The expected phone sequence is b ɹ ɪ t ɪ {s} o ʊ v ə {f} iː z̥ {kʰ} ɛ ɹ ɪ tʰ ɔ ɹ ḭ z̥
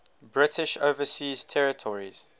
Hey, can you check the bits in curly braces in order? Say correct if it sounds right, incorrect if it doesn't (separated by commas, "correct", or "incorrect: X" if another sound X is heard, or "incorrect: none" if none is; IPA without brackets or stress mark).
incorrect: ʃ, incorrect: s, incorrect: tʰ